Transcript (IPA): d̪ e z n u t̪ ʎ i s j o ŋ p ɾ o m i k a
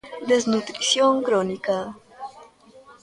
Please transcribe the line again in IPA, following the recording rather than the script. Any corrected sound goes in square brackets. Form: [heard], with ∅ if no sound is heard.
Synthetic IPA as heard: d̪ e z n u t̪ [ɾ] i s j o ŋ [k] ɾ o [n] i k a